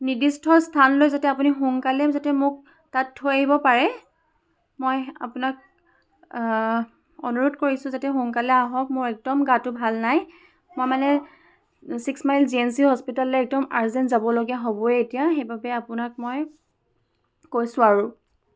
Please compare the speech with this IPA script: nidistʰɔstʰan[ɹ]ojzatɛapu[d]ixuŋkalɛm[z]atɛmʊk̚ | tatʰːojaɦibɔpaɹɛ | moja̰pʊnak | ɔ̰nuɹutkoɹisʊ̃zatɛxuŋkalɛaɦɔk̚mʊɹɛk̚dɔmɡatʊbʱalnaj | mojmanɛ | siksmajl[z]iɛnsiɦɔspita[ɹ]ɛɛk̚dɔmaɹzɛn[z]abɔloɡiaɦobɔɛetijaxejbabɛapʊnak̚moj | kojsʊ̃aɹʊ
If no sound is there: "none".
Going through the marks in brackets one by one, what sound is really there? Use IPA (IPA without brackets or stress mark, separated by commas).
l, n, z, z, l, z